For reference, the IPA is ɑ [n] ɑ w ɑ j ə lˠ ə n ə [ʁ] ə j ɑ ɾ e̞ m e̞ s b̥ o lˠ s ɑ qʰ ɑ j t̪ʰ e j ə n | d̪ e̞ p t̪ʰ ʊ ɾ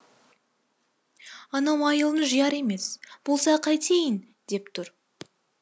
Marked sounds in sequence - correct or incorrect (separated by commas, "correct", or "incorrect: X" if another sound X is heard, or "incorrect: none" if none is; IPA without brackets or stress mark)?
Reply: correct, incorrect: ʒ